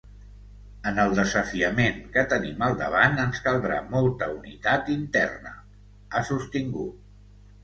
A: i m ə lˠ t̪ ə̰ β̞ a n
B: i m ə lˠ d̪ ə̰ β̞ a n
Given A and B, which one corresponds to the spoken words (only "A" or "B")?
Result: B